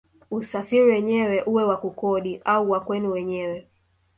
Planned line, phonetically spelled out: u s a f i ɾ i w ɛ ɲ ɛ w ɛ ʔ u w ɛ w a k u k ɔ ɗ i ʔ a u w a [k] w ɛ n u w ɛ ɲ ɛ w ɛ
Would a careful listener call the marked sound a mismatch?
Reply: no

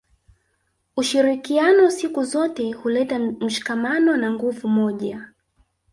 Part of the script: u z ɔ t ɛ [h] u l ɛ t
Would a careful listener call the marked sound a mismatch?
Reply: no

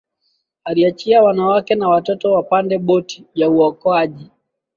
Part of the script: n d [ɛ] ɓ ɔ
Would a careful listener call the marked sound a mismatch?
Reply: no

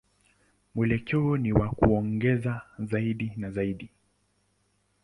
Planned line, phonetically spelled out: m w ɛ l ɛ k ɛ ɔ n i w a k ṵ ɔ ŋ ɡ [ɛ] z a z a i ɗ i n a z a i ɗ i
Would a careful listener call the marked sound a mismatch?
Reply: no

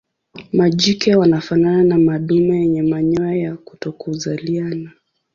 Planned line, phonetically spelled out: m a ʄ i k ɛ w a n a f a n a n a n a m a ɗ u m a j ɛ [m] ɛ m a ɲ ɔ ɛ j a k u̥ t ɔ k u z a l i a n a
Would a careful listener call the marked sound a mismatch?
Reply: yes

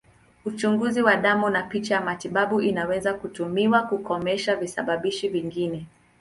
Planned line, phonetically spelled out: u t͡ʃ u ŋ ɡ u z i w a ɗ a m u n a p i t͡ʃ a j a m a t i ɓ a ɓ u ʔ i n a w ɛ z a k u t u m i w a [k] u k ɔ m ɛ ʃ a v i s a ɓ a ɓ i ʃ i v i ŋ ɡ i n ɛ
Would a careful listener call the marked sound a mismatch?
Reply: no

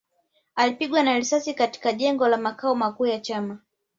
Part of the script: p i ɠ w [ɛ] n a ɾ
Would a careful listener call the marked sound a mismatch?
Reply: yes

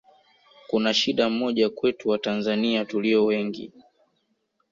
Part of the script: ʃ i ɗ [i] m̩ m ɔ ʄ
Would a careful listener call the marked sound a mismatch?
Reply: yes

